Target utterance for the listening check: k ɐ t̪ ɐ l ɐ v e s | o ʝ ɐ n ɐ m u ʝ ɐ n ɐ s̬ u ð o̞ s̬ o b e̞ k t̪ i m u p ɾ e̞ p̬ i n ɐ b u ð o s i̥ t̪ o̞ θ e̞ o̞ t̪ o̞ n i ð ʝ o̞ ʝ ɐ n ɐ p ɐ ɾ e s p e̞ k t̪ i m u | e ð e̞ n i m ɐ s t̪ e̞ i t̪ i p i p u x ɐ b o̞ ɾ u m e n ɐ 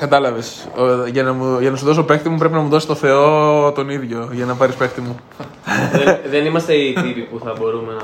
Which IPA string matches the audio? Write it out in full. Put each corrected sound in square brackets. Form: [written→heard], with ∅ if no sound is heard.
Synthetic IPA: k ɐ t̪ ɐ l ɐ v e s | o ʝ ɐ n ɐ m u ʝ ɐ n ɐ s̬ u ð o̞ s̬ o [b→p] e̞ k t̪ i m u p ɾ e̞ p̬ i n ɐ [b→m] u ð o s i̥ t̪ o̞ θ e̞ o̞ t̪ o̞ n i ð ʝ o̞ ʝ ɐ n ɐ p ɐ ɾ [e→i] s p e̞ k t̪ i m u | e ð e̞ n i m ɐ s t̪ e̞ i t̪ i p i p u [x→θ] ɐ b o̞ ɾ u m e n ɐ